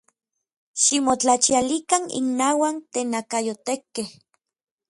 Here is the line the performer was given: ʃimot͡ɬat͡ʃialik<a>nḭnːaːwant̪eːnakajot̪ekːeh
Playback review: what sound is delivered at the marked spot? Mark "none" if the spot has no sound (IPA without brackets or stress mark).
a